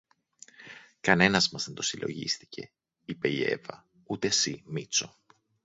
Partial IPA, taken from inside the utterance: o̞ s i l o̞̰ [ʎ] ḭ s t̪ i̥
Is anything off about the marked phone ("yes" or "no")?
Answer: yes